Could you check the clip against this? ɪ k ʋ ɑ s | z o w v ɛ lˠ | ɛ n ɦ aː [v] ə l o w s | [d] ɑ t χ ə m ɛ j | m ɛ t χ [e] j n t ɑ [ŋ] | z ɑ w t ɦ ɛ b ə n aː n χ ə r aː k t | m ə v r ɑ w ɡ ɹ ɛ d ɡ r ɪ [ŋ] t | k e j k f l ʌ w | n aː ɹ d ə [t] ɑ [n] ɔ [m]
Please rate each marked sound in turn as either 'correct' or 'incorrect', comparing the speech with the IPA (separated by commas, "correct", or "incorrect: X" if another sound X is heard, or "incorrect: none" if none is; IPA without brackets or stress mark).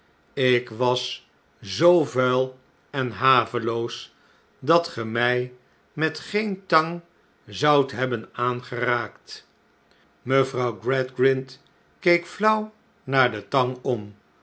correct, correct, correct, correct, incorrect: n, correct, incorrect: ŋ, correct